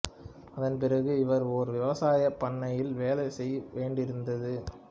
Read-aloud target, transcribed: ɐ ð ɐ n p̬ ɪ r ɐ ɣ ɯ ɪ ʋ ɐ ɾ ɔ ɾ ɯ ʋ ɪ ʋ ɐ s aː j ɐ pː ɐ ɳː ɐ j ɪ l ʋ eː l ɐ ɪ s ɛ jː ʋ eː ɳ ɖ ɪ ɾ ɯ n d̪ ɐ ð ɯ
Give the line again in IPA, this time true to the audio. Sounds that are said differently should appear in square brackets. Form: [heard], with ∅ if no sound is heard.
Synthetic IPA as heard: ɐ ð ɐ n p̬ ɪ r ɐ ɣ ɯ ɪ ʋ ɐ ɾ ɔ ɾ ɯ ʋ ɪ ʋ ɐ s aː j ɐ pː ɐ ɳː ɐ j ɪ l ʋ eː l ɐ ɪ s ɛ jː ʋ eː ɳ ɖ ɪ ɾ ɯ n d̪ ɐ ð ɯ

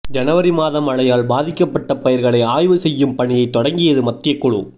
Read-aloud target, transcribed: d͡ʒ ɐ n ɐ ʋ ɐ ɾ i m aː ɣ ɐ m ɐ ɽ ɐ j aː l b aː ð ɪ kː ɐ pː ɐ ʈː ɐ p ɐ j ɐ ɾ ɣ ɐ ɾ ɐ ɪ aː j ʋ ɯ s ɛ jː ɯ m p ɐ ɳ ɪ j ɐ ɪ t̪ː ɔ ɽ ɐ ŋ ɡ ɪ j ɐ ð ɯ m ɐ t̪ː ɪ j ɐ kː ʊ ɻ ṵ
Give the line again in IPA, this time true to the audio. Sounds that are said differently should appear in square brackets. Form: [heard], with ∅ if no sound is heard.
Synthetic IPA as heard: d͡ʒ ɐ n ɐ ʋ ɐ ɾ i m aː [ð] ɐ m ɐ [ɭ] ɐ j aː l b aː ð ɪ kː ɐ pː ɐ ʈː ɐ p ɐ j ɐ ɾ ɣ ɐ [ɭ] ɐ ɪ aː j ʋ ɯ s ɛ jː ɯ m p ɐ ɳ ɪ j ɐ ɪ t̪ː ɔ ɽ ɐ ŋ ɡ ɪ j ɐ ð ɯ m ɐ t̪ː ɪ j ɐ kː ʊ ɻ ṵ

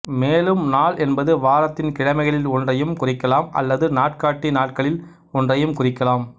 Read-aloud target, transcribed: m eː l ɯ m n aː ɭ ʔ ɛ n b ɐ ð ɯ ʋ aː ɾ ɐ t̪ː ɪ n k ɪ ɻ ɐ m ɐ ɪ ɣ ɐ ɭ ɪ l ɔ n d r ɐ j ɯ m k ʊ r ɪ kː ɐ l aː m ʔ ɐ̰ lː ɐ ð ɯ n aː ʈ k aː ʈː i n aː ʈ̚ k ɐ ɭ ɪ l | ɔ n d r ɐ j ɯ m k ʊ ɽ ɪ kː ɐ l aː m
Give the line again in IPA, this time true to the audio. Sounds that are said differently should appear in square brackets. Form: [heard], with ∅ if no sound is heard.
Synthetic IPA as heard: m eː l ɯ m n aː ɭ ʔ ɛ n b ɐ ð ɯ ʋ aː ɾ ɐ t̪ː ɪ n k ɪ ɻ ɐ m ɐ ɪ ɣ ɐ ɭ ɪ l ɔ n d r ɐ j ɯ m k ʊ r ɪ kː ɐ l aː m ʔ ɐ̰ lː ɐ ð ɯ n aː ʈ k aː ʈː i n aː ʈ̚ k ɐ ɭ ɪ l | ɔ n d r ɐ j ɯ m k ʊ [r] ɪ kː ɐ l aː m

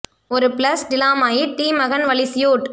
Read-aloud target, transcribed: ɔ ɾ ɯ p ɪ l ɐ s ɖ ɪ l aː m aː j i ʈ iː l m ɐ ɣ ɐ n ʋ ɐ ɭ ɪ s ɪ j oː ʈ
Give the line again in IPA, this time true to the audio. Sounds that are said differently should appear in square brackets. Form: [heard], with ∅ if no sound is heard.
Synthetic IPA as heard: ɔ ɾ ɯ p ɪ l ɐ s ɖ ɪ l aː m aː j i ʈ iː [∅] m ɐ ɣ ɐ n ʋ ɐ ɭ ɪ s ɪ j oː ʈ

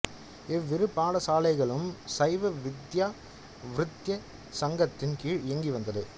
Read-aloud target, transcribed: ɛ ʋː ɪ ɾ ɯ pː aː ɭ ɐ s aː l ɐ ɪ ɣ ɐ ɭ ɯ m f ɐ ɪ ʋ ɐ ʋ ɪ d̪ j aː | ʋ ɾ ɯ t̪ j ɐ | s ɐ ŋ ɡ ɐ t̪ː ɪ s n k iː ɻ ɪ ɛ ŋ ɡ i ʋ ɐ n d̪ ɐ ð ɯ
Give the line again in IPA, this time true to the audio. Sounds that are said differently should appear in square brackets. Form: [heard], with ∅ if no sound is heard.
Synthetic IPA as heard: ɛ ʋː ɪ ɾ ɯ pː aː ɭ ɐ s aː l ɐ ɪ ɣ ɐ ɭ ɯ m [s] ɐ ɪ ʋ ɐ ʋ ɪ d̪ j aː | ʋ ɾ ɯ t̪ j ɐ | s ɐ ŋ ɡ ɐ t̪ː ɪ [∅] n k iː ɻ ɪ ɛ ŋ ɡ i ʋ ɐ n d̪ ɐ ð ɯ

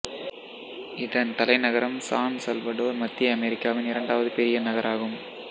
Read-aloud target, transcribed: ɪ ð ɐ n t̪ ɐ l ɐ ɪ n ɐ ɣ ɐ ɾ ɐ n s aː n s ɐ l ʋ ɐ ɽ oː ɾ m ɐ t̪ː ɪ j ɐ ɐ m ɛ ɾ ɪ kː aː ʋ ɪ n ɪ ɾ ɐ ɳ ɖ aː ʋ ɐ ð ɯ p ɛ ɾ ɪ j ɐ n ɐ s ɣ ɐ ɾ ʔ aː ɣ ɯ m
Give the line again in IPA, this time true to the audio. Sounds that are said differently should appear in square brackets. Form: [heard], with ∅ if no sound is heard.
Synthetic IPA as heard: ɪ ð ɐ n t̪ ɐ l ɐ ɪ n ɐ ɣ ɐ ɾ ɐ [m] s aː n s ɐ l ʋ ɐ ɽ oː ɾ m ɐ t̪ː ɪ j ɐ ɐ m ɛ ɾ ɪ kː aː ʋ ɪ n ɪ ɾ ɐ ɳ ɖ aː ʋ ɐ ð ɯ p ɛ ɾ ɪ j ɐ n ɐ [∅] ɣ ɐ ɾ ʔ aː ɣ ɯ m

